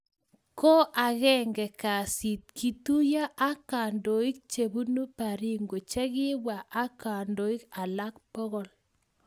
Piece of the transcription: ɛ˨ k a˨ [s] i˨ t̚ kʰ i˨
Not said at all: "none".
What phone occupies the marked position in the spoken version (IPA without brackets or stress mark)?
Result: s